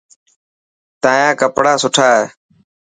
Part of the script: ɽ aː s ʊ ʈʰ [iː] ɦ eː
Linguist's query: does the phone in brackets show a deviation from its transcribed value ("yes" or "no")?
yes